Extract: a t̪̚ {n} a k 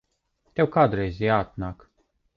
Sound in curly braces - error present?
no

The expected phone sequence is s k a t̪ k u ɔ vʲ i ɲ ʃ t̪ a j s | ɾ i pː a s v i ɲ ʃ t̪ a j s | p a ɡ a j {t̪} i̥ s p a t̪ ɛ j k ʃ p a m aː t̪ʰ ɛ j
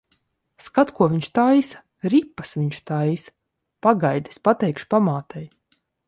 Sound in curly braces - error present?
yes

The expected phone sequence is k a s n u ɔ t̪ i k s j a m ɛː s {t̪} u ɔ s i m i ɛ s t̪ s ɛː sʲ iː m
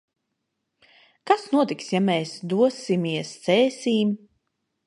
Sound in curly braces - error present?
yes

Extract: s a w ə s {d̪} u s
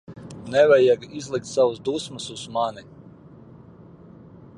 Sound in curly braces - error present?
no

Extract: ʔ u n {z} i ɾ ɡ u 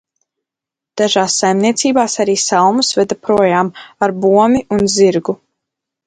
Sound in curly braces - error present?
no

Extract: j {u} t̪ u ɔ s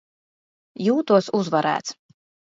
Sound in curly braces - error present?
yes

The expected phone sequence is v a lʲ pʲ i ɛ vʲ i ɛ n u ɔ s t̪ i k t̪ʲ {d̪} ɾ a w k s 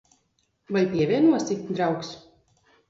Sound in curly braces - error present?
no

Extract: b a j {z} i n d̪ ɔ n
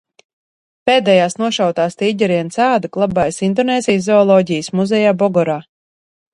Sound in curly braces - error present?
yes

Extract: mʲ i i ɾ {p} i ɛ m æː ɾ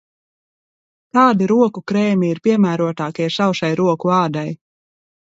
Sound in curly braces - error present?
no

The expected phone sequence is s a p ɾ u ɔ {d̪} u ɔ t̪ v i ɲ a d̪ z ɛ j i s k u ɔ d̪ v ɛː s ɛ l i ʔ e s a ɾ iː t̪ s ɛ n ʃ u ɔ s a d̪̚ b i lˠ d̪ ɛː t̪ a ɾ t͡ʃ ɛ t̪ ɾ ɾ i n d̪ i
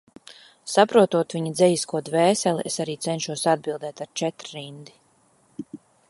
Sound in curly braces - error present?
yes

